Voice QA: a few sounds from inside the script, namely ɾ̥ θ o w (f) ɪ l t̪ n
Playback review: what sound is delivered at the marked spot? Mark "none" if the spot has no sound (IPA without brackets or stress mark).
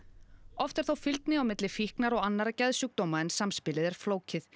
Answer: f